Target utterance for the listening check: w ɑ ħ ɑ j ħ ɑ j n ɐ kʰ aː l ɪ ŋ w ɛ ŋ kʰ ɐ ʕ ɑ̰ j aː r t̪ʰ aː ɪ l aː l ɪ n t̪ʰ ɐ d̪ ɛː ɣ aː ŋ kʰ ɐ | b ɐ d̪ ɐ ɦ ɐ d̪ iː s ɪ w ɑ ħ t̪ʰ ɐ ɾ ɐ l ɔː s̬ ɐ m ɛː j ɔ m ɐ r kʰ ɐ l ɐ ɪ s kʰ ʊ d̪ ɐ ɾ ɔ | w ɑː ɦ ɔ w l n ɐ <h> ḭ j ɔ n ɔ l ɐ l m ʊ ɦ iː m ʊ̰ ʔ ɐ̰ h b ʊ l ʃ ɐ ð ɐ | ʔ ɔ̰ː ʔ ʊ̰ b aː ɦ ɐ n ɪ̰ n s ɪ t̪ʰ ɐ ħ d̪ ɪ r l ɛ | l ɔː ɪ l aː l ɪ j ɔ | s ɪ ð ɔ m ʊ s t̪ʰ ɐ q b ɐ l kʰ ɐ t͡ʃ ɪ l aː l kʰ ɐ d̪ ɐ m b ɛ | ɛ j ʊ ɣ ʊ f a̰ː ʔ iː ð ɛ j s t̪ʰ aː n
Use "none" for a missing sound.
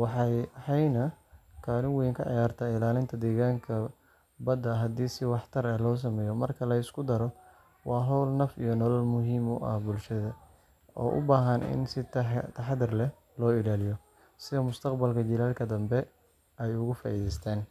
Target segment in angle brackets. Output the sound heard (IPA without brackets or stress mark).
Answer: f